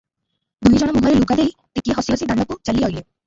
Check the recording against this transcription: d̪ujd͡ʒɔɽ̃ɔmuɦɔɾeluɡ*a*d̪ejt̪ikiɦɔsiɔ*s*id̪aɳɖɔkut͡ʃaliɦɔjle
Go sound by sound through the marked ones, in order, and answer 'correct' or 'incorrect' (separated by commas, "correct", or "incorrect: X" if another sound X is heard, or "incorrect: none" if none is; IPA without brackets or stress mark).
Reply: correct, correct